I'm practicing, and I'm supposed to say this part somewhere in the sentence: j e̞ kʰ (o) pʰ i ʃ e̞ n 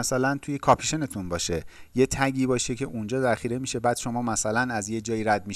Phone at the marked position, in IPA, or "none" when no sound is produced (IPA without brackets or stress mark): ɒ